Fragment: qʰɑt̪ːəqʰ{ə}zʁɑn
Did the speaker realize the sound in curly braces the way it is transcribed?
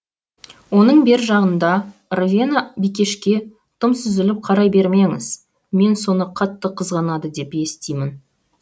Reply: yes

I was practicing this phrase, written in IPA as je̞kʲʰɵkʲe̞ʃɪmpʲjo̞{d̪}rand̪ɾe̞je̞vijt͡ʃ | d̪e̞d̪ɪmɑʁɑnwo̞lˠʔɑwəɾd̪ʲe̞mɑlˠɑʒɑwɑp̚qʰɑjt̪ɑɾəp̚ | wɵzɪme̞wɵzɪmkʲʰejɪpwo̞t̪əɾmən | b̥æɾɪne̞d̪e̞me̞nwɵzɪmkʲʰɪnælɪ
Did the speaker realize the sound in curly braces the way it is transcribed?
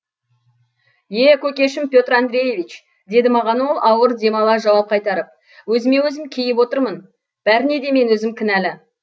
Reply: no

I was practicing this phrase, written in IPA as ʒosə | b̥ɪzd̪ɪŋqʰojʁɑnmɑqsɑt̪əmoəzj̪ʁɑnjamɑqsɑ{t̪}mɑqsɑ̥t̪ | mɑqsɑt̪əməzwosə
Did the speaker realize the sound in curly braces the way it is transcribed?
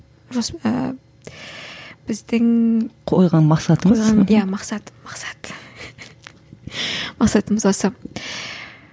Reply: yes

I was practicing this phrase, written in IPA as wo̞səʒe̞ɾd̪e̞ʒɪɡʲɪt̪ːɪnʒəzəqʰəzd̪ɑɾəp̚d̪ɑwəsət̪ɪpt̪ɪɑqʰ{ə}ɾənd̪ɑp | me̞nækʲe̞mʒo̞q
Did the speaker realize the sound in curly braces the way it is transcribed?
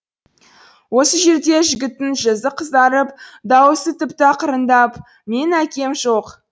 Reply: yes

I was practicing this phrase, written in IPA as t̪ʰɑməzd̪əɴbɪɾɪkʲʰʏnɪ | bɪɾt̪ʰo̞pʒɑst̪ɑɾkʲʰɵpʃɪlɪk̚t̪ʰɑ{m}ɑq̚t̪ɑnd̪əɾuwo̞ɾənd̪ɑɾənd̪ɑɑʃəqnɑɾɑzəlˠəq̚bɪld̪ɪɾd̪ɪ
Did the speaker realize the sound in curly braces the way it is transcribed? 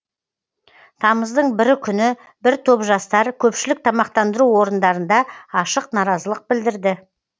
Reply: yes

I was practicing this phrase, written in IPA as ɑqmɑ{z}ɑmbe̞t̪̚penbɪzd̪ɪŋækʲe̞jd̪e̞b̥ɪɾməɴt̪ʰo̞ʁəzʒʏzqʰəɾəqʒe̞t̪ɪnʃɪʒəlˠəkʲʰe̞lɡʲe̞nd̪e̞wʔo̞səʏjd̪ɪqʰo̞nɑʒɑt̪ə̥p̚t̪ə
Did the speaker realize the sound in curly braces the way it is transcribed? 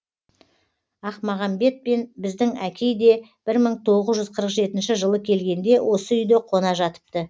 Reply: no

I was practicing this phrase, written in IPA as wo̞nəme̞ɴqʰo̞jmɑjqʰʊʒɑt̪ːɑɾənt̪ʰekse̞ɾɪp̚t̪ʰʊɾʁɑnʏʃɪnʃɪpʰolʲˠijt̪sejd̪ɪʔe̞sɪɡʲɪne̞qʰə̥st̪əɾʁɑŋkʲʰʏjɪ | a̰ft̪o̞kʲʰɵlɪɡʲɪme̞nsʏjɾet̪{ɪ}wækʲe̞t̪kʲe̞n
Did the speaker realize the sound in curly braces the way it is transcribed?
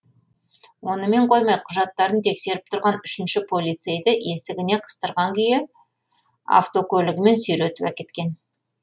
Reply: yes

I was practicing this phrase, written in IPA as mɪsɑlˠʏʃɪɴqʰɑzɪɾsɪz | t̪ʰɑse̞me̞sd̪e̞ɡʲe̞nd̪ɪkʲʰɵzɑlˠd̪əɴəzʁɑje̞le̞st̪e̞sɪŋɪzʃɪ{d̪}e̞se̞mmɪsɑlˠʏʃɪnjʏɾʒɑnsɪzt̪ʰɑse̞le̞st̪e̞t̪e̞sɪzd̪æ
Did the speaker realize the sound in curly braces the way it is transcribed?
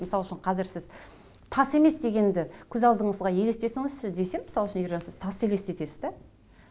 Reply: yes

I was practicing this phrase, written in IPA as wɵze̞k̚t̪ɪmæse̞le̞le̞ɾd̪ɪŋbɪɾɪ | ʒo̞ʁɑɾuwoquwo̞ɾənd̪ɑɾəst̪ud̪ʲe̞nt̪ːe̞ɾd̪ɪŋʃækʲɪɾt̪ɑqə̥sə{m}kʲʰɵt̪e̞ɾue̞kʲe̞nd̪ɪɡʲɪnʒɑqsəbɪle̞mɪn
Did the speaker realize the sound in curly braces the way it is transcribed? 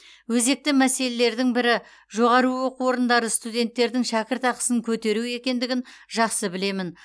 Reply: no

